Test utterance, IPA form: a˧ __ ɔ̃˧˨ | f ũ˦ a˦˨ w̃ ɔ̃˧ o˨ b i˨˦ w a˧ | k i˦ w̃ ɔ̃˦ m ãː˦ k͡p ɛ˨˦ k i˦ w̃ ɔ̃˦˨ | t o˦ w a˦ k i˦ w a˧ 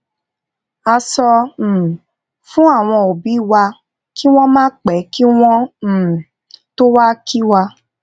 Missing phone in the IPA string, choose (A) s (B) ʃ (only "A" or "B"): A